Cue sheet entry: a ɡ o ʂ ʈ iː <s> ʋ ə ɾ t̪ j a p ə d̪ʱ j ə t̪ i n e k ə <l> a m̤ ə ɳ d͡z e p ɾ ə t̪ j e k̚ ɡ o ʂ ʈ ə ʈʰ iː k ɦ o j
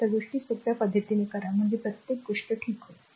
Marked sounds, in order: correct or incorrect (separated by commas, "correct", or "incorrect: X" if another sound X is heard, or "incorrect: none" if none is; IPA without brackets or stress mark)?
correct, incorrect: ɾ